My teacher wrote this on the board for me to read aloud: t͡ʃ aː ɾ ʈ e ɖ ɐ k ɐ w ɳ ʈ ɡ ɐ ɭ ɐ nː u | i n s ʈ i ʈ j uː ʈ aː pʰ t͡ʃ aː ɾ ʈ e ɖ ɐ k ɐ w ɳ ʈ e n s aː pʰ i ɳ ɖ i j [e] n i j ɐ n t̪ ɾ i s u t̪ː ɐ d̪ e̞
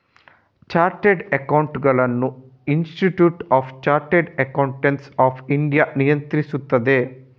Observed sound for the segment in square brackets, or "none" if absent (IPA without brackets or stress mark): a